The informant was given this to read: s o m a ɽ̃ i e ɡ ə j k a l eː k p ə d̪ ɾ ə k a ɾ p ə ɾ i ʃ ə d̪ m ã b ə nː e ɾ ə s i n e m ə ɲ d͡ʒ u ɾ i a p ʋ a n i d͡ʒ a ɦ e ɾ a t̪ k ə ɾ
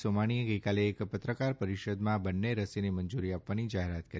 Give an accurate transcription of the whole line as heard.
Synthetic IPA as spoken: s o m a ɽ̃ i e ɡ ə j k a l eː k p ə t̪ ɾ ə k a ɾ p ə ɾ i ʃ ə d̪ m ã b ə nː e ɾ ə s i n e m ə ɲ d͡ʒ u ɾ i a p ʋ a n i d͡ʒ a ɦ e ɾ a t̪ k ə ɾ

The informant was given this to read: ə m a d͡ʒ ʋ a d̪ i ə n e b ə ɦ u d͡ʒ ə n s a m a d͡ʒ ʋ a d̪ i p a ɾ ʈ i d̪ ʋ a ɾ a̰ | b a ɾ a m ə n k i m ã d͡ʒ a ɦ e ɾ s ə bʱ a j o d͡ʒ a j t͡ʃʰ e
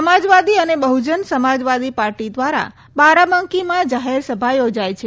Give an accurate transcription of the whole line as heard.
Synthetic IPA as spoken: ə m a d͡ʒ ʋ a d̪ i ə n e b ə ɦ u d͡ʒ ə n s ə m a d͡ʒ ʋ a d̪ i p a ɾ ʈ i d̪ ʋ a ɾ a̰ | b a ɾ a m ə ŋ k i m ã d͡ʒ a ɦ e ɾ s ə bʱ a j o d͡ʒ a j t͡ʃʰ e

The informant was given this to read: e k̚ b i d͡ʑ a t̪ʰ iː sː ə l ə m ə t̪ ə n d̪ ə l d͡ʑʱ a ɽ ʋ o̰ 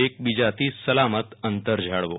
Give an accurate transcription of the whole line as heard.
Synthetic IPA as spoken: e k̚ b i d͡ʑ a t̪ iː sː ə l a m ə t̪ ə n t̪ ə ɾ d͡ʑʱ a ɽ ʋ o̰

